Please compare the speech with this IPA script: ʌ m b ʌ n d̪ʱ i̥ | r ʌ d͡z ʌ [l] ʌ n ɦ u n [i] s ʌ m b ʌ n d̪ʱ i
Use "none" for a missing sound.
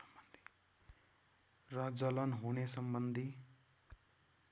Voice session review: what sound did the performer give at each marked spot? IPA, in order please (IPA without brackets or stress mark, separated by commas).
l, e